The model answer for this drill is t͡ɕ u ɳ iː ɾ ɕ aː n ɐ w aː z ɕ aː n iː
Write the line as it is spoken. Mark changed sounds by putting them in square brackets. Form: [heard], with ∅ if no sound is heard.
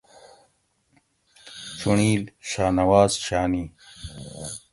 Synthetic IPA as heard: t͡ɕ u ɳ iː [l] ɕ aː n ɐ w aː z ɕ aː n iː